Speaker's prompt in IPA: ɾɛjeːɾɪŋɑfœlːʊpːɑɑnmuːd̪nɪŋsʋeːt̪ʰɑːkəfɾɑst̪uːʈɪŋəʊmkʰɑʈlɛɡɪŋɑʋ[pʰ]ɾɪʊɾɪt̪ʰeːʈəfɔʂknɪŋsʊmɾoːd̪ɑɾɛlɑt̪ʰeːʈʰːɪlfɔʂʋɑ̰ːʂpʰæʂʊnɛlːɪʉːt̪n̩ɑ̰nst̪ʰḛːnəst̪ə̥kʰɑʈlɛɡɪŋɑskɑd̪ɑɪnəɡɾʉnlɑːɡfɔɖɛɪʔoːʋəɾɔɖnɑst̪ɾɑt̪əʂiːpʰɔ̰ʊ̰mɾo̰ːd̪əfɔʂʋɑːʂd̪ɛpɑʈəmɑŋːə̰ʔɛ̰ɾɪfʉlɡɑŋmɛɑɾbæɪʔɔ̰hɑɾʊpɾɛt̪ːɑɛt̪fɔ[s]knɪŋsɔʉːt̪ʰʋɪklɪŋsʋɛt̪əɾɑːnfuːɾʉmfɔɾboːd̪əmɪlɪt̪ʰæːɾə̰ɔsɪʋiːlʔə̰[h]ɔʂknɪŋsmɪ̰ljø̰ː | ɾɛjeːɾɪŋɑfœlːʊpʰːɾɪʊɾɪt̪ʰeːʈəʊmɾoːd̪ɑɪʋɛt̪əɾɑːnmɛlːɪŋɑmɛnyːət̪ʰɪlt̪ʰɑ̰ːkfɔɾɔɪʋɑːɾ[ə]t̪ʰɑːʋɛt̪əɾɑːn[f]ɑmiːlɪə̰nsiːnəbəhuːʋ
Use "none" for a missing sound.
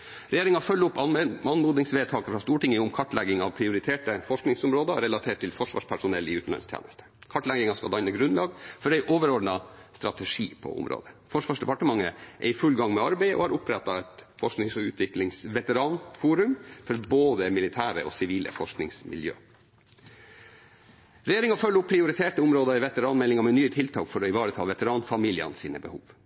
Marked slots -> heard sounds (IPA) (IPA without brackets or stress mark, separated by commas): pʰ, ʂ, f, ə, f